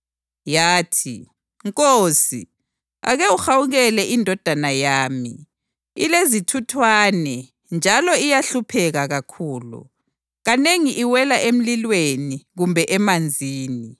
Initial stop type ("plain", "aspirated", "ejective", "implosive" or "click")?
aspirated